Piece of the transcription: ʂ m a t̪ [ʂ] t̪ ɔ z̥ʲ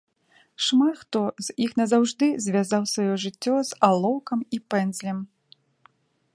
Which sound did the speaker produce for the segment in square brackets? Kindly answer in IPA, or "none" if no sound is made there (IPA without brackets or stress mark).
x